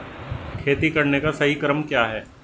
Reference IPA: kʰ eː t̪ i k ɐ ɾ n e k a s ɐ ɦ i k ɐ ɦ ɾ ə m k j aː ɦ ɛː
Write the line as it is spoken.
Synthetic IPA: kʰ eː t̪ i k ɐ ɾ n e k a s ɐ ɦ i k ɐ ɾ ə m k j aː ɦ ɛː